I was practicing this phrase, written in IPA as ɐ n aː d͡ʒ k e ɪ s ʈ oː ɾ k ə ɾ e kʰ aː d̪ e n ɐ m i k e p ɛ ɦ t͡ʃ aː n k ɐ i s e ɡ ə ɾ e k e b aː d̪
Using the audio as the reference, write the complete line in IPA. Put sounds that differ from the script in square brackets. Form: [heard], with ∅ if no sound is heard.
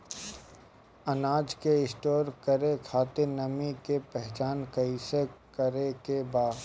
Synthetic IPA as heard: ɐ n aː d͡ʒ k e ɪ s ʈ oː ɾ k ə ɾ e kʰ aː [t̪] e n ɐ m i k e p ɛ ɦ t͡ʃ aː n k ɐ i s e [k] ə ɾ e k e b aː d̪